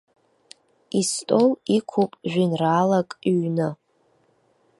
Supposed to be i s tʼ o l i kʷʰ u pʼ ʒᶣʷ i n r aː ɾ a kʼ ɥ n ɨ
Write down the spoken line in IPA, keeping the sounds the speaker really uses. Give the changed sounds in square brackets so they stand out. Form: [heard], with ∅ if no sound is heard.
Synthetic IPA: i s tʼ o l i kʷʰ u pʼ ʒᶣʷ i n r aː [l] a kʼ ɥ n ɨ